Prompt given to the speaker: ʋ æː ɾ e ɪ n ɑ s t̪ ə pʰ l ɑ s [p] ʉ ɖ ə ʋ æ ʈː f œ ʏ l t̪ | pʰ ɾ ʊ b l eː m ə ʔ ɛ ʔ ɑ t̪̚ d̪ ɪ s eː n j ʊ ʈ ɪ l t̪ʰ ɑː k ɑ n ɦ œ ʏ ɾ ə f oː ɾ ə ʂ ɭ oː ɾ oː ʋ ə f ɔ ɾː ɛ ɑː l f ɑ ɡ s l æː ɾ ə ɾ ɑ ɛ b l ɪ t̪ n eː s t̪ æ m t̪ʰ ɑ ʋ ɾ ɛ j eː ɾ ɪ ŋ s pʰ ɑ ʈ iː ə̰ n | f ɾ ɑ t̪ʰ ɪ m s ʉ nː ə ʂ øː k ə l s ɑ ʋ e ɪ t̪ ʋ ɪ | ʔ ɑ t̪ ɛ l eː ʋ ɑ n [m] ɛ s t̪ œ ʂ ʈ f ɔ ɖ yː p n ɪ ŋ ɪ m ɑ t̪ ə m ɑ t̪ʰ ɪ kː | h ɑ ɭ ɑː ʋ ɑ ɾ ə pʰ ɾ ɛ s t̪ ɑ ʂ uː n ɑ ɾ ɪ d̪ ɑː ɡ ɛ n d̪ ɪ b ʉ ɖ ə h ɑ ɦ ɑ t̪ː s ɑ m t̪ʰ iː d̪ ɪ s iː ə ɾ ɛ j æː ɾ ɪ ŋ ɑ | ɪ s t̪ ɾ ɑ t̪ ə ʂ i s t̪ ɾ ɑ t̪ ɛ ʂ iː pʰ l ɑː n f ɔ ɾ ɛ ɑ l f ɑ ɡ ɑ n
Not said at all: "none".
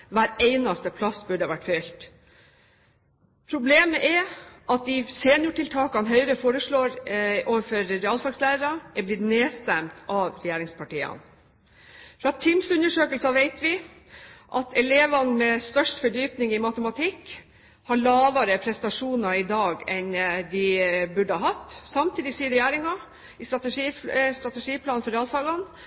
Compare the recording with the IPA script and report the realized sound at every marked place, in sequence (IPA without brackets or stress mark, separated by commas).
b, m